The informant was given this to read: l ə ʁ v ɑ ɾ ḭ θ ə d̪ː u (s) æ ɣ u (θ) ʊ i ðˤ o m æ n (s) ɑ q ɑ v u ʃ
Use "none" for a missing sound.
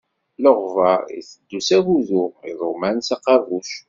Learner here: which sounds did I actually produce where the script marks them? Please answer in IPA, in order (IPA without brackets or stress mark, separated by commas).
s, ð, s